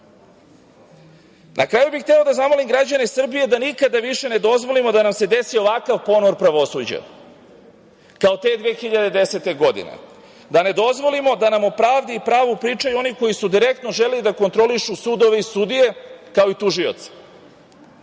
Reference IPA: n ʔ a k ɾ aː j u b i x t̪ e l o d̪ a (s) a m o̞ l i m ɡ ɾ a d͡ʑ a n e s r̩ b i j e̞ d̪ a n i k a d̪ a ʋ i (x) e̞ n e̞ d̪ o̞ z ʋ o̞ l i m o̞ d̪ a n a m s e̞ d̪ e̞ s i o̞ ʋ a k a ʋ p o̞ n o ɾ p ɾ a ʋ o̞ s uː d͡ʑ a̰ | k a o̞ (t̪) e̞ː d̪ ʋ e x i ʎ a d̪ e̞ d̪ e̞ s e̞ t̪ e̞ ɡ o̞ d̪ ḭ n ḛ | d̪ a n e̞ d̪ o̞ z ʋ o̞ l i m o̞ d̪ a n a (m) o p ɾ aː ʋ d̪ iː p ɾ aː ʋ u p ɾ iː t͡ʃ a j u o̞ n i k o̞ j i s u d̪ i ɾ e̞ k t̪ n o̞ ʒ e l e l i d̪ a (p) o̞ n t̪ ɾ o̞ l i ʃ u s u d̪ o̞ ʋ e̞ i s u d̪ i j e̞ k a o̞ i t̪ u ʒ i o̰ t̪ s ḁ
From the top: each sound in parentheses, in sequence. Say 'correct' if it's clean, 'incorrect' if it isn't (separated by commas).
incorrect, incorrect, correct, correct, incorrect